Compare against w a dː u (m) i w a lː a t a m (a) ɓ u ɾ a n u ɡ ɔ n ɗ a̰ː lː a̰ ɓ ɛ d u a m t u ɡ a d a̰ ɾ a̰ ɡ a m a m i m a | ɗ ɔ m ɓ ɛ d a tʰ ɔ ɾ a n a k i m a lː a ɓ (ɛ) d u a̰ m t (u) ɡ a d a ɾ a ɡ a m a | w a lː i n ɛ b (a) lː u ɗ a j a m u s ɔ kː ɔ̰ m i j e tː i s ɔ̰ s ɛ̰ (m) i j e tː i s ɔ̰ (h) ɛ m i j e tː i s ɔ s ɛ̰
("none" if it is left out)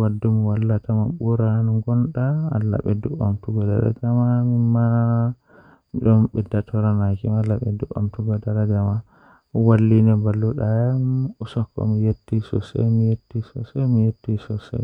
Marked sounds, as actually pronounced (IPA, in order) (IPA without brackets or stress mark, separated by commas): m, a, ɛ, u, a, m, s